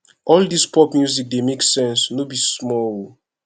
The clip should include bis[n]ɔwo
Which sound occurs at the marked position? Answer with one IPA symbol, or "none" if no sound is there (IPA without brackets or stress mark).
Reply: m